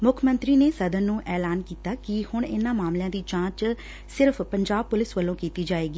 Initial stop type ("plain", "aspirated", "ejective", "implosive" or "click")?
aspirated